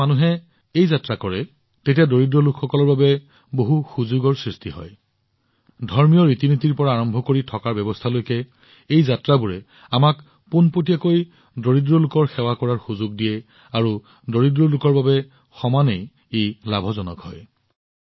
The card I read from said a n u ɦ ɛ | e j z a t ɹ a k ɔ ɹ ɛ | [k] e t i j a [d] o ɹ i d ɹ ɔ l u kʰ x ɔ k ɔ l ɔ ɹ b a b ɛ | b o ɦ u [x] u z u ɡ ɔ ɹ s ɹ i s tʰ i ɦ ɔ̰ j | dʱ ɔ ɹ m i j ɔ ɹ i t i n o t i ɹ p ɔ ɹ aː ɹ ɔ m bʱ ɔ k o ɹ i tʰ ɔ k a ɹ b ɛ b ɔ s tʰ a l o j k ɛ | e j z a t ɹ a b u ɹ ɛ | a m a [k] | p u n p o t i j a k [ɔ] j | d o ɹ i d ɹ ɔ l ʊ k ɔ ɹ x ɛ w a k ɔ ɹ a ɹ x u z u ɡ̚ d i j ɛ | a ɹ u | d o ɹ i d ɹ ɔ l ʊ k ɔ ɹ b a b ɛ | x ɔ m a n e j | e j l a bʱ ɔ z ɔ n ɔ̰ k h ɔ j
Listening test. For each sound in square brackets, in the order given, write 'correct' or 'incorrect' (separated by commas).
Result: incorrect, correct, correct, correct, incorrect